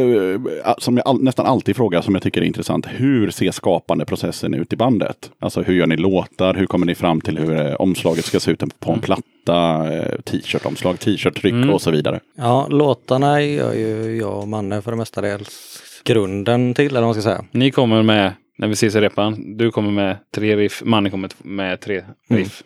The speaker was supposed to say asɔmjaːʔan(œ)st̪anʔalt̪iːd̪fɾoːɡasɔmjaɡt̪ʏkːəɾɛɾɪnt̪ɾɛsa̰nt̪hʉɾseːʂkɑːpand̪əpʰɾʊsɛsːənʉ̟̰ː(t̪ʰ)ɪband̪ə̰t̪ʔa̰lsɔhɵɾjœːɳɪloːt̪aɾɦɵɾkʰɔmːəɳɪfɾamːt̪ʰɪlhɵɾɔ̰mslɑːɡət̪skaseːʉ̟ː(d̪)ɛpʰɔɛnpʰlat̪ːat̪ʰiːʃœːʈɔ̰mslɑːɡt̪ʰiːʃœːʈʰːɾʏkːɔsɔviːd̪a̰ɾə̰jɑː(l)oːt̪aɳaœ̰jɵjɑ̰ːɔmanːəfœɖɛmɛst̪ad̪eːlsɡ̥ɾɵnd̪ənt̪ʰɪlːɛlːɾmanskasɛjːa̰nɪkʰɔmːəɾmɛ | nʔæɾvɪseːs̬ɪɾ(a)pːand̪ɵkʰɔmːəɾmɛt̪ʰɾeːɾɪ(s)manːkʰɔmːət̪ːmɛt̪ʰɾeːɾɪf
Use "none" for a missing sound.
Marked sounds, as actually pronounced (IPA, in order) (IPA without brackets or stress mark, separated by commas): ɛ, t̪, t̪, l, ɛ, f